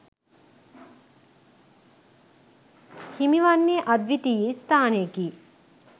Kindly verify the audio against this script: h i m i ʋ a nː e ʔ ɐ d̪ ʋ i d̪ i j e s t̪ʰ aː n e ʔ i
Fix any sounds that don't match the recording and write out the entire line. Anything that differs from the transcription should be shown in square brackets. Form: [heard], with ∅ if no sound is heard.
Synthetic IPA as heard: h i m i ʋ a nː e ʔ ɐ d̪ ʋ i [t̪] i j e s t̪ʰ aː n e [k] i